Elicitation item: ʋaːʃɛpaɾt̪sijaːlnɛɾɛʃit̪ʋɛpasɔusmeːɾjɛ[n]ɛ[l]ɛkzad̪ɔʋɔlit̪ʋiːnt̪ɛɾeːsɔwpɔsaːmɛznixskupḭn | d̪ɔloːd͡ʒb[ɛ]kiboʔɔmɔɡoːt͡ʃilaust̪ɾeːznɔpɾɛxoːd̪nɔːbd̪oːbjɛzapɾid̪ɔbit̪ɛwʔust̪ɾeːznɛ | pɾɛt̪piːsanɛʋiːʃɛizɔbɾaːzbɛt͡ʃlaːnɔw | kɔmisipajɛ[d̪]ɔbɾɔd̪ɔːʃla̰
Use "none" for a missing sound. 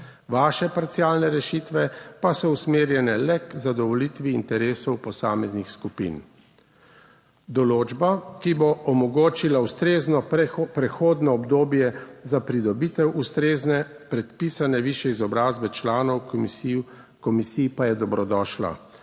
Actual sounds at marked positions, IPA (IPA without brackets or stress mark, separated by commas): n, l, a, d̪